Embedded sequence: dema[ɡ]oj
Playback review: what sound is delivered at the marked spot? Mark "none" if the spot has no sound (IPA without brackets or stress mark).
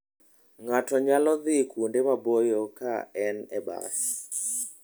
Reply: b